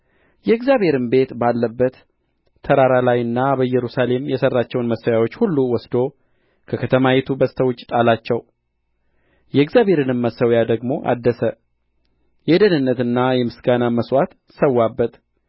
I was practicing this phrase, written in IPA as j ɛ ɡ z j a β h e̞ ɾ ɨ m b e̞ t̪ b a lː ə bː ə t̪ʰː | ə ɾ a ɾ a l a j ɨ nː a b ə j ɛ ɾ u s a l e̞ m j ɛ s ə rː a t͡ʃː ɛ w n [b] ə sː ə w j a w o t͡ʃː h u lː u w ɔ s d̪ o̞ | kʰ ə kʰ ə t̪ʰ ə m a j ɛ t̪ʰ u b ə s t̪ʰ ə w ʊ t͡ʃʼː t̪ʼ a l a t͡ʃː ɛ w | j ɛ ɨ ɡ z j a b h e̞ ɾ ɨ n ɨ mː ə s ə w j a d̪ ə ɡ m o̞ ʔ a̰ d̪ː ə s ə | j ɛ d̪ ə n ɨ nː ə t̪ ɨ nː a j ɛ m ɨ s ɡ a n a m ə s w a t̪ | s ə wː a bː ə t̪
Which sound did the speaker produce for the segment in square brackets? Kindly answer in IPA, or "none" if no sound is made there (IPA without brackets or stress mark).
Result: m